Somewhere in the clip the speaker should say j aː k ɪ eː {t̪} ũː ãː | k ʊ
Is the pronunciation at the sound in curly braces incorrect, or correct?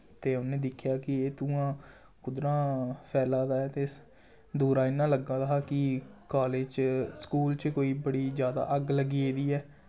correct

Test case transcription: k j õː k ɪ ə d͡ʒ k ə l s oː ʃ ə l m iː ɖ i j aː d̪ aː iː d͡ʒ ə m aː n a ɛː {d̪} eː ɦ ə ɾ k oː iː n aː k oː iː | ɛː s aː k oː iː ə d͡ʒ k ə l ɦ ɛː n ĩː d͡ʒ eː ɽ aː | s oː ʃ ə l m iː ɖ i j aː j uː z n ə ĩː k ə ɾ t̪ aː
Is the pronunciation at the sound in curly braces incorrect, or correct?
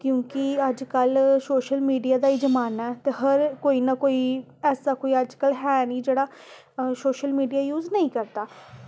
incorrect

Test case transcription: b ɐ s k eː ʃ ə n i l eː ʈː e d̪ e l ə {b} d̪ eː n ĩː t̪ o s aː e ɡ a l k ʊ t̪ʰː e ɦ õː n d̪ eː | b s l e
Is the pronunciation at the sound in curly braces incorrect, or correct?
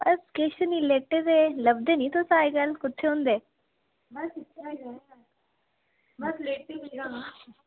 correct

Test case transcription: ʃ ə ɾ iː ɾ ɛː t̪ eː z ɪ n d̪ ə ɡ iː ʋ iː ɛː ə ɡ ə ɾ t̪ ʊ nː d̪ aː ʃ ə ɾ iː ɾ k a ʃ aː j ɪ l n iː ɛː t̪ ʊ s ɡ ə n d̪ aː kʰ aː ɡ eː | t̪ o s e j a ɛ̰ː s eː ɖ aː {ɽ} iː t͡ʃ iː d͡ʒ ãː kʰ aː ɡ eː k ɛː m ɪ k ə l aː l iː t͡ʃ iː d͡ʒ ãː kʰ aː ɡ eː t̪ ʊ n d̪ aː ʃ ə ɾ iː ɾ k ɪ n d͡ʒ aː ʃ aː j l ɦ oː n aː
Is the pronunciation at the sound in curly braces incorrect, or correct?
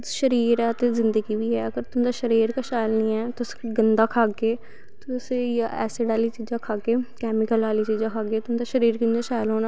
incorrect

